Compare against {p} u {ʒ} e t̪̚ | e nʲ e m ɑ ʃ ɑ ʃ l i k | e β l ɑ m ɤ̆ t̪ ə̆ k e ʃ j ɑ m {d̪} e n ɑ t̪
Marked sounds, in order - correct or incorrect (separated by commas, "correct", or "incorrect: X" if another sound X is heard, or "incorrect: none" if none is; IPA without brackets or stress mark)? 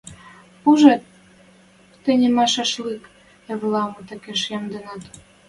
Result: correct, correct, correct